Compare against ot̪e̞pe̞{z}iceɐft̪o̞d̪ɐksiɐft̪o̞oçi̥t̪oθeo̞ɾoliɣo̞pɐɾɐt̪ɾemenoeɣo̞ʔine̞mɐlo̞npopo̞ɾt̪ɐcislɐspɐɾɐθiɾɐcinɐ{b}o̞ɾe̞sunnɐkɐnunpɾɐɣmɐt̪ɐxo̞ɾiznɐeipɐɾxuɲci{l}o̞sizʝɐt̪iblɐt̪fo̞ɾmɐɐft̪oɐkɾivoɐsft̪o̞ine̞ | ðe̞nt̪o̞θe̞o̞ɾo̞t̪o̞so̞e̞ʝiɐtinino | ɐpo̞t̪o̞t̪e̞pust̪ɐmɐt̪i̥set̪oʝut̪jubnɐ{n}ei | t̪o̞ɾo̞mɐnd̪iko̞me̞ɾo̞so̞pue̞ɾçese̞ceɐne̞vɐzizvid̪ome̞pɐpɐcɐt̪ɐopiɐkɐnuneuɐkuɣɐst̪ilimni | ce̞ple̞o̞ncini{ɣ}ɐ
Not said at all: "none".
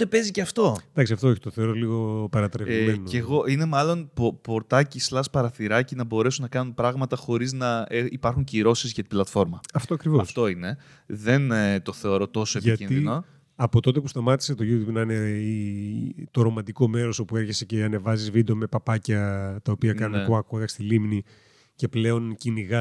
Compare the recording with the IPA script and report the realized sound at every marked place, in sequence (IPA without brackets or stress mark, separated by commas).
z, b, ɾ, n, ɣ